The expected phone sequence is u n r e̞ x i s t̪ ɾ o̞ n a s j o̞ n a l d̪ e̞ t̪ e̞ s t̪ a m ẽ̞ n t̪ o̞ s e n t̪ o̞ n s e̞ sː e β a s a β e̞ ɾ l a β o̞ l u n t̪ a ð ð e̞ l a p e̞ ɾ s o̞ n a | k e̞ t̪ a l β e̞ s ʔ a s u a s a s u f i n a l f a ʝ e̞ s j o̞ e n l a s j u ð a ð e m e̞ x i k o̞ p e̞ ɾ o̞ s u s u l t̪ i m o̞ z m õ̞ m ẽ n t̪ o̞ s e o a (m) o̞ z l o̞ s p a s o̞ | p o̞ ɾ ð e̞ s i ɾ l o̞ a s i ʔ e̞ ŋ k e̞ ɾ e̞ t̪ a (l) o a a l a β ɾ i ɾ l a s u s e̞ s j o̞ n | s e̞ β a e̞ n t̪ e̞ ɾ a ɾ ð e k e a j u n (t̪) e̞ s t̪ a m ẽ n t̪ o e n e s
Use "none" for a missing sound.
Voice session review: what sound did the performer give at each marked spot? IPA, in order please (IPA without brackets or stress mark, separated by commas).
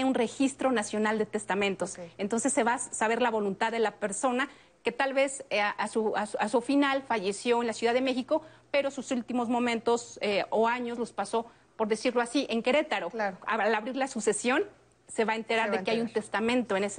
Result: ɲ, ɾ, t̪